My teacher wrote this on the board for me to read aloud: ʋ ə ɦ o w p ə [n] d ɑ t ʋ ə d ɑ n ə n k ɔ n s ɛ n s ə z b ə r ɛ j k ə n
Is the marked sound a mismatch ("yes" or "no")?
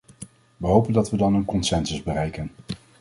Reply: no